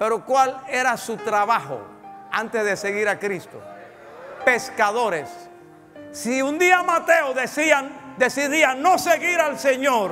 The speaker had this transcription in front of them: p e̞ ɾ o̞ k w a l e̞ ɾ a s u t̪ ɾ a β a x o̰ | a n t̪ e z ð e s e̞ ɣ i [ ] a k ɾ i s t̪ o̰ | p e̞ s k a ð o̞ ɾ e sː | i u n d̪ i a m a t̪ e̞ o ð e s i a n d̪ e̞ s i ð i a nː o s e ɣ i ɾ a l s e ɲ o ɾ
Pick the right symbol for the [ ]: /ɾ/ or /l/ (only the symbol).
ɾ